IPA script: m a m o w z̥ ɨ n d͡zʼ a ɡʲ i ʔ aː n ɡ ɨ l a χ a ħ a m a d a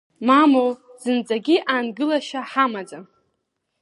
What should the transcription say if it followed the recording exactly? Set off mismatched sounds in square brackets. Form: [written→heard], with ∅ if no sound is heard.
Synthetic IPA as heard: m a m o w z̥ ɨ n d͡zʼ a ɡʲ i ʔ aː n ɡ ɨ l a [χ→ʃ] a ħ a m a [d→d͡z] a